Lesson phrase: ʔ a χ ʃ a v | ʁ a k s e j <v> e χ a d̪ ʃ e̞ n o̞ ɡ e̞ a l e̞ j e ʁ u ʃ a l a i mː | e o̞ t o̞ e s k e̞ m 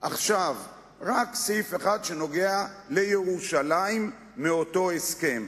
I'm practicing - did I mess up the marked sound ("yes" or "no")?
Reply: yes